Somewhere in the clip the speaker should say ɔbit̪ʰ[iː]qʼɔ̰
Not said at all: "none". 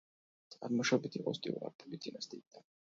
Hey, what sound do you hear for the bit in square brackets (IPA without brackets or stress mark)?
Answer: i